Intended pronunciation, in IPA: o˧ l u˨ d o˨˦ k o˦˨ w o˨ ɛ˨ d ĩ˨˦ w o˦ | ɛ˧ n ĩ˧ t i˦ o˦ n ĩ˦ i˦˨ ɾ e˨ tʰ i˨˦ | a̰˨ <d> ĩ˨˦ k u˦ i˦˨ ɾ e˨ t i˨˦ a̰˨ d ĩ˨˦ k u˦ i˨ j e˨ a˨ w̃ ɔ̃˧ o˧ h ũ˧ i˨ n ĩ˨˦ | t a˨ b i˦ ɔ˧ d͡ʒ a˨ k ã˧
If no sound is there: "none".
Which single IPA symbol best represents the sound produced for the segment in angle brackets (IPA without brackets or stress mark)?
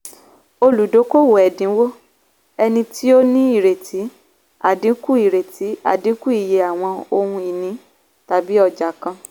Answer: d